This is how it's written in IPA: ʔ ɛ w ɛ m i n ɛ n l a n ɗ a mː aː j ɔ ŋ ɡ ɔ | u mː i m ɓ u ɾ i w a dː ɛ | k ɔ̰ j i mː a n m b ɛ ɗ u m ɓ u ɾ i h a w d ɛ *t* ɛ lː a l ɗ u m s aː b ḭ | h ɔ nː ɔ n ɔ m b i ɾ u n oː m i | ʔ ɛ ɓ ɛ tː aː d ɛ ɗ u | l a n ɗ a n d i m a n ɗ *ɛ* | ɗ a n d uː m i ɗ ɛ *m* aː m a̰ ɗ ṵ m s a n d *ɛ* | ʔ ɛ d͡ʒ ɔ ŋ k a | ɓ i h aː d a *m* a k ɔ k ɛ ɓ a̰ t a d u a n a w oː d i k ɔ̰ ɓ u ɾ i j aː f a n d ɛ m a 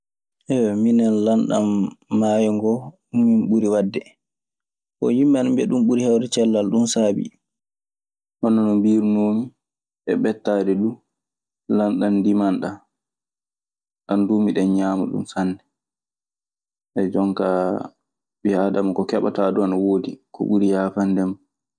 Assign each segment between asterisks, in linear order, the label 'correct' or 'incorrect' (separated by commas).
incorrect, incorrect, incorrect, correct, correct